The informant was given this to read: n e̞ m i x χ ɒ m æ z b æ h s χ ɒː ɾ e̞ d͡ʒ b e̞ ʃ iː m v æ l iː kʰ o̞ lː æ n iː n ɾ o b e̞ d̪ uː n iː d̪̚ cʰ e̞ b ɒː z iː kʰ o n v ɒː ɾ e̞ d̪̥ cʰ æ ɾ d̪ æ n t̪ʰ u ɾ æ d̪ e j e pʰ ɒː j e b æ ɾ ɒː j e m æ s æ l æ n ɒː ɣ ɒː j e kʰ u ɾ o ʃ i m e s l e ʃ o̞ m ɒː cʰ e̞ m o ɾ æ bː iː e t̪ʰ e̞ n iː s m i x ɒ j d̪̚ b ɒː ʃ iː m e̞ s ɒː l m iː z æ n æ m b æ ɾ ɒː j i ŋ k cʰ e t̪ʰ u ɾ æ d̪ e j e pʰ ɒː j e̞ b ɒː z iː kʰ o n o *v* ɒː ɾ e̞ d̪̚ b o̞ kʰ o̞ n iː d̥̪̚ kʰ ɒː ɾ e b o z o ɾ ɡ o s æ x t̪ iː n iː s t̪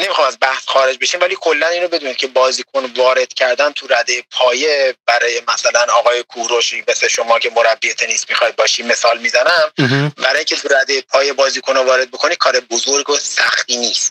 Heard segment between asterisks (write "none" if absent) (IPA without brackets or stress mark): v